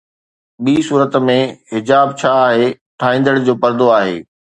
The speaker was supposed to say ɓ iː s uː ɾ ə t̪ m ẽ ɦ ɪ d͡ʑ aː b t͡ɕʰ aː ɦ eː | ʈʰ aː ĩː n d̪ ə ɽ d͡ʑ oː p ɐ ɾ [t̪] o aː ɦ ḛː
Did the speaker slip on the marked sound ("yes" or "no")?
yes